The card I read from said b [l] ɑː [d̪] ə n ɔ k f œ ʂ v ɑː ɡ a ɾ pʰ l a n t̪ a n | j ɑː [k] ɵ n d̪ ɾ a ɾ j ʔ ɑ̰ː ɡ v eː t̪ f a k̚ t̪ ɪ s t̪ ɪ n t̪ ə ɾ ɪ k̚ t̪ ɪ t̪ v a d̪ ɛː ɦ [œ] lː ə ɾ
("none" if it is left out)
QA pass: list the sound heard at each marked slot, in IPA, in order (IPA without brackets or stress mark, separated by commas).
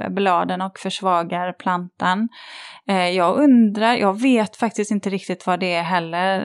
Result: l, d̪, ɡ, ɛ